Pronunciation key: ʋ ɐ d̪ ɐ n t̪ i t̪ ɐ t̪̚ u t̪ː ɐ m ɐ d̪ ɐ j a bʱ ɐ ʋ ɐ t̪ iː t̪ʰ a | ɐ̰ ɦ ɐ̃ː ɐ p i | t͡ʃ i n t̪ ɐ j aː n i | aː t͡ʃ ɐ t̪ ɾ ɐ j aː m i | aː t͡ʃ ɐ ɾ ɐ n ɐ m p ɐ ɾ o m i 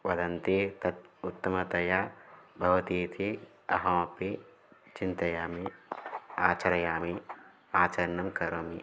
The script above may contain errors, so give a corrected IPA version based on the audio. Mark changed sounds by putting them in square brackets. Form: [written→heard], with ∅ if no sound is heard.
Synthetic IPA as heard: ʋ ɐ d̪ ɐ n t̪ i t̪ ɐ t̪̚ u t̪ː ɐ m ɐ [d̪→t̪] ɐ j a bʱ ɐ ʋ ɐ t̪ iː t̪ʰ [a→i] | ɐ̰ ɦ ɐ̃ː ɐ p i | t͡ʃ i n t̪ ɐ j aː [n→m] i | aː t͡ʃ ɐ [t̪→∅] ɾ ɐ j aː m i | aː t͡ʃ ɐ ɾ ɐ n ɐ m [p→k] ɐ ɾ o m i